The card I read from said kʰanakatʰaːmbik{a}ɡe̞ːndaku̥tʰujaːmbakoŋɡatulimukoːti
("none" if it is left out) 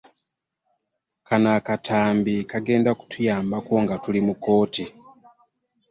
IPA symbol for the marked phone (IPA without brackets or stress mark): a